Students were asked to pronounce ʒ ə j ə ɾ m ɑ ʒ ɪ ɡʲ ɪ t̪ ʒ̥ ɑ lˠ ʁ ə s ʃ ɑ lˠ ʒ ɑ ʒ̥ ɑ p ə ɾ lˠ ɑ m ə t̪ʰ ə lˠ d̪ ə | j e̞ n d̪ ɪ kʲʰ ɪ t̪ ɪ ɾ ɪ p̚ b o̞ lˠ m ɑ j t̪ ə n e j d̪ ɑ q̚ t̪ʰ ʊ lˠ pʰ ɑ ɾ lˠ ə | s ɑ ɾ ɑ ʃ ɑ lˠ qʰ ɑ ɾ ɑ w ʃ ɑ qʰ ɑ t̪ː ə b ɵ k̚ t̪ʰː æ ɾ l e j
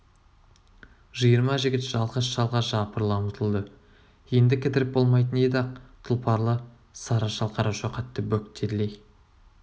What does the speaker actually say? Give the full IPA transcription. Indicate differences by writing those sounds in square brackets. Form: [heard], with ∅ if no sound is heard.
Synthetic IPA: ʒ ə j ə ɾ m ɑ ʒ ɪ ɡʲ ɪ t̪ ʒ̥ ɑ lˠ ʁ ə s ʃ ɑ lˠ [ʁ] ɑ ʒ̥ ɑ p ə ɾ lˠ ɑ m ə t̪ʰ ə lˠ d̪ ə | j e̞ n d̪ ɪ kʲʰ ɪ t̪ ɪ ɾ ɪ p̚ b o̞ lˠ m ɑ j t̪ ə n e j d̪ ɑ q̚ t̪ʰ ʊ lˠ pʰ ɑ ɾ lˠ ə | s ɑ ɾ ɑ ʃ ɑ lˠ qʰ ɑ ɾ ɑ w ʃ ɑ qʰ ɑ t̪ː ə b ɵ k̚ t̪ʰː [e] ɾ l e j

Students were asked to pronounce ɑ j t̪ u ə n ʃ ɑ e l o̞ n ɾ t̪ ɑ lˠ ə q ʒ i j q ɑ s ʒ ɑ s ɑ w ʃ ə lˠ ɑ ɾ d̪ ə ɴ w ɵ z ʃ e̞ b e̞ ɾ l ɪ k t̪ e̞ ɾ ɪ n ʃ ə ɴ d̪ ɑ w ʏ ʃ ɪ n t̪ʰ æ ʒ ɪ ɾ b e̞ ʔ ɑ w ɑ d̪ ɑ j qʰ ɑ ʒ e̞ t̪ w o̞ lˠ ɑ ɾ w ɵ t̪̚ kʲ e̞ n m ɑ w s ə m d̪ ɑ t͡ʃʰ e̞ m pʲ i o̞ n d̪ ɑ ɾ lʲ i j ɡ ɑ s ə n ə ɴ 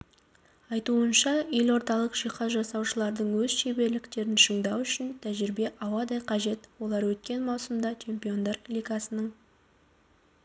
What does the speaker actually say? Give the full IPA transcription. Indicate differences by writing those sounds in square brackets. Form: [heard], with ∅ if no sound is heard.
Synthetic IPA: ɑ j t̪ u ə n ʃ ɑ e l o̞ [∅] ɾ t̪ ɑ lˠ ə q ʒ i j q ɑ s ʒ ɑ s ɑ w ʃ ə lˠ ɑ ɾ d̪ ə ɴ w ɵ z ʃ e̞ b e̞ ɾ l ɪ k t̪ e̞ ɾ ɪ n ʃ ə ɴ d̪ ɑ w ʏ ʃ ɪ n t̪ʰ æ ʒ ɪ ɾ b e̞ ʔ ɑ w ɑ d̪ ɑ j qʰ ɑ ʒ e̞ t̪ w o̞ lˠ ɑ ɾ w ɵ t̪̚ kʲ e̞ n m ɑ w s ə m d̪ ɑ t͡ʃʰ e̞ m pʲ i o̞ n d̪ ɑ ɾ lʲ i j ɡ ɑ s ə n ə ɴ

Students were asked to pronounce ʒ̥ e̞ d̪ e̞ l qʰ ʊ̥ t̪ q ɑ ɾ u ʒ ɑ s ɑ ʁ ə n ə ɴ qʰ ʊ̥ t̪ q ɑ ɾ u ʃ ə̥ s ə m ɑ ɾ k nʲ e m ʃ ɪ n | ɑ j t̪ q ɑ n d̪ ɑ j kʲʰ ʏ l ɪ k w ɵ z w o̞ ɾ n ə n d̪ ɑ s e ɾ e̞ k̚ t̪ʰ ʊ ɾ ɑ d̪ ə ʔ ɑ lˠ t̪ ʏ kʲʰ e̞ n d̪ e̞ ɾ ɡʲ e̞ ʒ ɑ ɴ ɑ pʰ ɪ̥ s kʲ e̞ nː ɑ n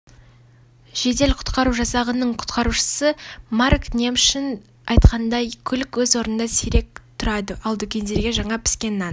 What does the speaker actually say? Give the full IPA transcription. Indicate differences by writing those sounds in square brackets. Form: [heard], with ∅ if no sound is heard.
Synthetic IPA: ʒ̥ e̞ d̪ e̞ l qʰ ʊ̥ t̪ q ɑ ɾ u ʒ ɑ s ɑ ʁ ə n ə ɴ qʰ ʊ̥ t̪ q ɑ ɾ u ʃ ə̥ s ə m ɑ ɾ k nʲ e m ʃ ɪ n | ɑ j t̪ q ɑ n d̪ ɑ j kʲʰ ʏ l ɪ k w ɵ z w o̞ ɾ n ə n d̪ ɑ s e ɾ e̞ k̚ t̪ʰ ʊ ɾ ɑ d̪ ə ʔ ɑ lˠ [d̪] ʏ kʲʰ e̞ n d̪ e̞ ɾ ɡʲ e̞ ʒ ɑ ɴ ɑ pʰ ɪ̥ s kʲ e̞ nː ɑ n

